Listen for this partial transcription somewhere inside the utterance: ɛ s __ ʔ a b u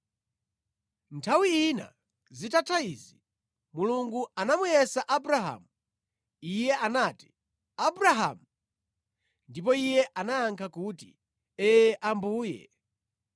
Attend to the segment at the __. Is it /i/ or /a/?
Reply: a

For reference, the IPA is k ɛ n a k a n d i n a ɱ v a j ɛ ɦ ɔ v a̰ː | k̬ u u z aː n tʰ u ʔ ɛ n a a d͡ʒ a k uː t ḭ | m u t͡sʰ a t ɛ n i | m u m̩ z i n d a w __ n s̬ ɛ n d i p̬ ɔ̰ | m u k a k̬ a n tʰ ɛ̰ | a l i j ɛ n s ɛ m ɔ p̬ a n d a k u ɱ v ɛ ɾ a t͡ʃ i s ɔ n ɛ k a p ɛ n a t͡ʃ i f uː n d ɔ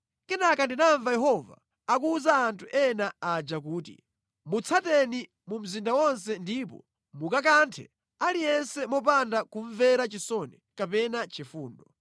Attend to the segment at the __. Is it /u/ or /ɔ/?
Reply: ɔ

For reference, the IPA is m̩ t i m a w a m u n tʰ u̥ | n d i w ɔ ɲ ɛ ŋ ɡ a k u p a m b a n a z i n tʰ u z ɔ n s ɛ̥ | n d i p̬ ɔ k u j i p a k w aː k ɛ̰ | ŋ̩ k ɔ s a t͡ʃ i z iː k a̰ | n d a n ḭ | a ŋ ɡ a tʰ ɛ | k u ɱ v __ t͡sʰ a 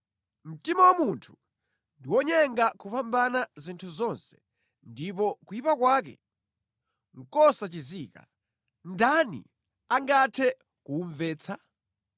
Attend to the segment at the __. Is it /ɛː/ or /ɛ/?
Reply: ɛː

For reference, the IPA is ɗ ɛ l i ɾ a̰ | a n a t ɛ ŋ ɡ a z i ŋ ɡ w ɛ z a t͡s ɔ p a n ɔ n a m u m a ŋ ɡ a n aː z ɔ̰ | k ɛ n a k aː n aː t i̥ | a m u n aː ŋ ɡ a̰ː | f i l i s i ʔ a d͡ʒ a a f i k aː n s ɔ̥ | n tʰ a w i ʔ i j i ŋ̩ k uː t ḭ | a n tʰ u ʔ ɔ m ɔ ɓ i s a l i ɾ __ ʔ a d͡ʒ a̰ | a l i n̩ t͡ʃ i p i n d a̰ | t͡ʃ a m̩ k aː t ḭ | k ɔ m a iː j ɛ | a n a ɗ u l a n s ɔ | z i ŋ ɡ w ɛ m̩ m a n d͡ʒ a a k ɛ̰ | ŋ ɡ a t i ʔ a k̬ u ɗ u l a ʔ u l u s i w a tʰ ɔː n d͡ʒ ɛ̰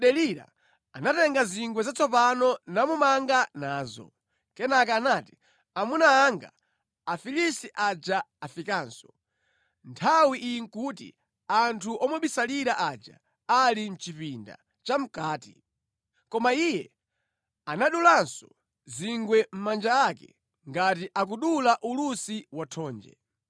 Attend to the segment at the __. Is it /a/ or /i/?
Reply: a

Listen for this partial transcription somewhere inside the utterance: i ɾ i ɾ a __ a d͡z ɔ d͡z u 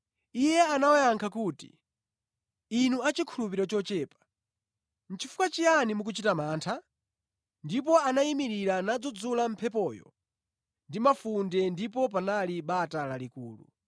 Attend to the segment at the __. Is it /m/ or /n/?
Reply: n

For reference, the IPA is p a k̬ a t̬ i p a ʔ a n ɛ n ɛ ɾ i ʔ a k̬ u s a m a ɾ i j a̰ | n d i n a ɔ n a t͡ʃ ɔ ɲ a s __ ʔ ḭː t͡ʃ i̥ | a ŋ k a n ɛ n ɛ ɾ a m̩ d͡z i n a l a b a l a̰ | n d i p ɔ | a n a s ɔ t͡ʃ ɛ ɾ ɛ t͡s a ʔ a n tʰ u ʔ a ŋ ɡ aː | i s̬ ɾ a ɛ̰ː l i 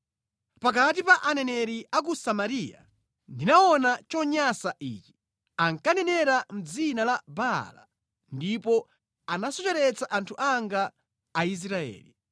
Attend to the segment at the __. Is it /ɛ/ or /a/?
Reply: a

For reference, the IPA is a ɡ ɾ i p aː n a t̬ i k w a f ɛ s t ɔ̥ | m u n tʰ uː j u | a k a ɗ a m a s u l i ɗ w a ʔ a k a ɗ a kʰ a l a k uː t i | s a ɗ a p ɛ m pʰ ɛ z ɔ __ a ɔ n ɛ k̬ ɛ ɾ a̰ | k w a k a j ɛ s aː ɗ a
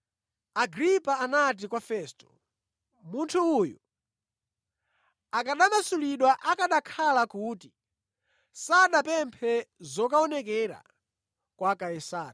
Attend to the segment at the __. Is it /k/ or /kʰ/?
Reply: k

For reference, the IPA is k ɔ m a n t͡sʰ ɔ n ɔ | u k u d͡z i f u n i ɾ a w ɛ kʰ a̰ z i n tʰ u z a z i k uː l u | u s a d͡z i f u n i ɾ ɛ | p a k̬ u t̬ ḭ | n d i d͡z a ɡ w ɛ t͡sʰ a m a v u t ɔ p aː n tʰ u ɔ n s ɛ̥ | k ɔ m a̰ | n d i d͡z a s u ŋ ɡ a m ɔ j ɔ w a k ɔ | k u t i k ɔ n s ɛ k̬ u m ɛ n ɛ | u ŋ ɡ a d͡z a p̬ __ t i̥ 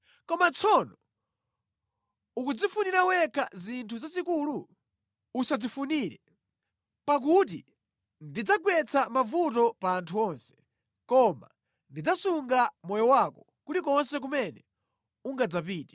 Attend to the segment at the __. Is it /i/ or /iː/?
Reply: iː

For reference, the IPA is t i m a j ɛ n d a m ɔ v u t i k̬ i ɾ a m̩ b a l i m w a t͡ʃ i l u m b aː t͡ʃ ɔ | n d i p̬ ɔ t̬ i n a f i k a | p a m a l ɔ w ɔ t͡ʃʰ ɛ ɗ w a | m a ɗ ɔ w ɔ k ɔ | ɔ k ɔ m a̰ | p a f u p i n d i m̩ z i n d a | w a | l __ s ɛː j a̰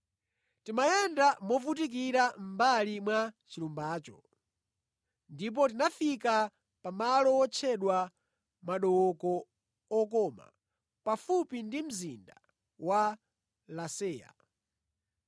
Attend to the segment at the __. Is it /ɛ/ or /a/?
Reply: a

